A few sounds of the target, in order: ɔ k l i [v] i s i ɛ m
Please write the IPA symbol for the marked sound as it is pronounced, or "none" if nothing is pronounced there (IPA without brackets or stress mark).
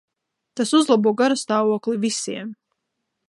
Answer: v